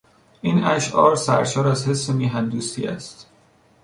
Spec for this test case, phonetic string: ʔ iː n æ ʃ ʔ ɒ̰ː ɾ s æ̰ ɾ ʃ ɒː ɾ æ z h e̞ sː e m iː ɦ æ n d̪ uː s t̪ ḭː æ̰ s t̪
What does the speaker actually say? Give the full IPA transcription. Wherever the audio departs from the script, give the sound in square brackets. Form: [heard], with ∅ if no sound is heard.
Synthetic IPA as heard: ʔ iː n æ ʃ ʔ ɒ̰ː ɾ s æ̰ ɾ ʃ ɒː ɾ æ z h e̞ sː e m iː ɦ æ n d̪ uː s t̪ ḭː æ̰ s t̪